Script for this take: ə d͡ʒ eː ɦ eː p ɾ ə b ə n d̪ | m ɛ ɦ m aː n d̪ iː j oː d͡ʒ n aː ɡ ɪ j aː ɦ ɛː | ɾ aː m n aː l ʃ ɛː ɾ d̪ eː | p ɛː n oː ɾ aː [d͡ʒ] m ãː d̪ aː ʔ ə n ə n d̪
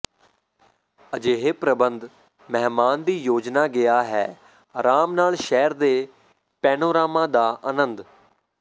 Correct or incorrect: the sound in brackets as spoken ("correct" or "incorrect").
incorrect